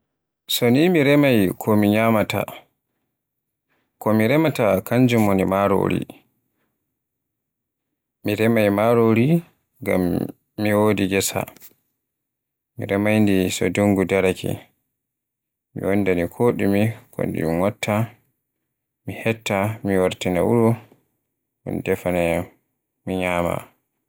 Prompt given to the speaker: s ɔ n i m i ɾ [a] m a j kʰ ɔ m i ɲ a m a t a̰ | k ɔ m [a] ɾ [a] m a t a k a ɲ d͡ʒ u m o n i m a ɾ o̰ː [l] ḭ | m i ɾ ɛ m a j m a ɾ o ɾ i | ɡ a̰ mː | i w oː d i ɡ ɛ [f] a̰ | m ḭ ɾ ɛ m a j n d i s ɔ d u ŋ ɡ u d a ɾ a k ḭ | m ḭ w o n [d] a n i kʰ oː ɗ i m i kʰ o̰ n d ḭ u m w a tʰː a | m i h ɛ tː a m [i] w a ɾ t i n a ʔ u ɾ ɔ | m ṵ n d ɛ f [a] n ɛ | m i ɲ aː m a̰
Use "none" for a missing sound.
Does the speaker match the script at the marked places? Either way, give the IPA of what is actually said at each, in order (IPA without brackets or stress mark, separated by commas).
ɛ, i, ɛ, ɾ, s, d, i, a